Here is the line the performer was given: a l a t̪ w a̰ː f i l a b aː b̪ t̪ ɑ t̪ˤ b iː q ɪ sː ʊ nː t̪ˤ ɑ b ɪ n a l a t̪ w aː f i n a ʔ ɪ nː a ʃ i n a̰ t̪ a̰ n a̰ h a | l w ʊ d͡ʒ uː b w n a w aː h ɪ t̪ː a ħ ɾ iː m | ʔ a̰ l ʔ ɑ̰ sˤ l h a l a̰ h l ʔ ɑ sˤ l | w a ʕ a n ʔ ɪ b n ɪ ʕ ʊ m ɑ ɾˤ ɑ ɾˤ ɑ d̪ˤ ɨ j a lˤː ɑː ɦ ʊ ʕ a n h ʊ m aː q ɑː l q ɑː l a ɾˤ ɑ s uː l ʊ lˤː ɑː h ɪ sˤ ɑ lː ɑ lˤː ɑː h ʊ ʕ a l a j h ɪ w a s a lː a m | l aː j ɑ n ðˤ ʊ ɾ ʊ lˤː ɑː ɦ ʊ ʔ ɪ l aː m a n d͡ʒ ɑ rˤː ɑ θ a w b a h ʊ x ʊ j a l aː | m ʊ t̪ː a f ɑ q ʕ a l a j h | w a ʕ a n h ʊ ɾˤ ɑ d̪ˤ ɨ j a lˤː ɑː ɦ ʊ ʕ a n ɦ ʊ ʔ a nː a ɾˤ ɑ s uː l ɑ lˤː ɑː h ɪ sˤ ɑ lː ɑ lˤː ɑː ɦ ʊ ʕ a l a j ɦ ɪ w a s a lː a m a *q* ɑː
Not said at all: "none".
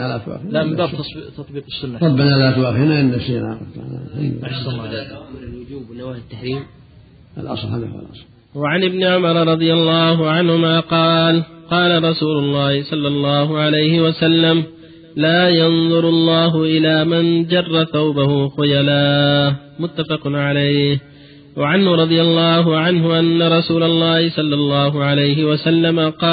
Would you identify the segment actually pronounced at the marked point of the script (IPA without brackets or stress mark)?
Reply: q